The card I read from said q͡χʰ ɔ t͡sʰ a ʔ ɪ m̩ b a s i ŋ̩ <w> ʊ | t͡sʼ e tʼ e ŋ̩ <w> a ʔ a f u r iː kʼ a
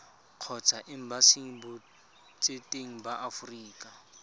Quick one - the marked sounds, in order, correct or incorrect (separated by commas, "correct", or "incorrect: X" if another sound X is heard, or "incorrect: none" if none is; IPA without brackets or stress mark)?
incorrect: b, incorrect: b